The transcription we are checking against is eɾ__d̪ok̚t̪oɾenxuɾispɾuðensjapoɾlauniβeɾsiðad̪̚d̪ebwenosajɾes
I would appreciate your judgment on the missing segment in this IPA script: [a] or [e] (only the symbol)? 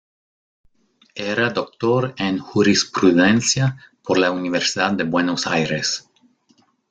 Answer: a